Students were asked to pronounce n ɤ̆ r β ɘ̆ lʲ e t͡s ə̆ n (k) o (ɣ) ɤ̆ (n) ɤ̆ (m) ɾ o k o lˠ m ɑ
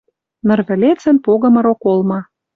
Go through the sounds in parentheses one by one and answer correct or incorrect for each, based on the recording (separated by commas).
incorrect, correct, incorrect, incorrect